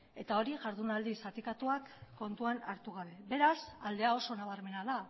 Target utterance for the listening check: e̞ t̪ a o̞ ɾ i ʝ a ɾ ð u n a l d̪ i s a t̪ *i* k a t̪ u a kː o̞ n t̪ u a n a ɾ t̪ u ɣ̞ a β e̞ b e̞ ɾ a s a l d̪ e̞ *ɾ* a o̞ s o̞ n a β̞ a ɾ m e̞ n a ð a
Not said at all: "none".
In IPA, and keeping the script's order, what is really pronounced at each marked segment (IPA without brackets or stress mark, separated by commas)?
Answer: i, none